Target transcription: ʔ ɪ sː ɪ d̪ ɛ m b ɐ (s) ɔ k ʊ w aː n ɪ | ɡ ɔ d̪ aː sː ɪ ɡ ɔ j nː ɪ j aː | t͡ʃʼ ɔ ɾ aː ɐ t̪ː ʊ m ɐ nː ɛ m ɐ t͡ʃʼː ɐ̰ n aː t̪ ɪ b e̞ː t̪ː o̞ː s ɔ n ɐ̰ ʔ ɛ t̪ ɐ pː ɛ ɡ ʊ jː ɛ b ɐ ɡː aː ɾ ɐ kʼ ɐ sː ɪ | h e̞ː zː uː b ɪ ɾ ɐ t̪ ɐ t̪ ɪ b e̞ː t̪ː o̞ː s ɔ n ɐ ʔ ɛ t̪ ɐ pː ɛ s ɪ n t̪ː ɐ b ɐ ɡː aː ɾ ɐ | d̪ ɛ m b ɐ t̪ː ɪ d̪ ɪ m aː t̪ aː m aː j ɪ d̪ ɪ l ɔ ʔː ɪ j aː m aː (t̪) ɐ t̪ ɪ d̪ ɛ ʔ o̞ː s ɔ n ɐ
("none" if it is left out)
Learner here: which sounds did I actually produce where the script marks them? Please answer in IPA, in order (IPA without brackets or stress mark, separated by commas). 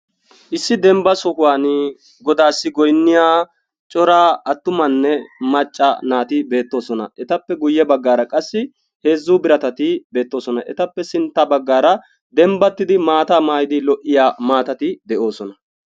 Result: s, t̪